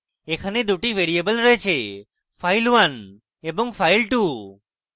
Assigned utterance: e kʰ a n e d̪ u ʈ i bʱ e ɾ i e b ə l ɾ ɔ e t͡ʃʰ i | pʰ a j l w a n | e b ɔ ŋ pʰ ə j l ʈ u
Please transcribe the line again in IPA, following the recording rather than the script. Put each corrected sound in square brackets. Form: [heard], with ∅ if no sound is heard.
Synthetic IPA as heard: e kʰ a n e d̪ u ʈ i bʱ e ɾ i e b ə l ɾ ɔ e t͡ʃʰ [e] | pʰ a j l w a n | e b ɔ ŋ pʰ [a] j l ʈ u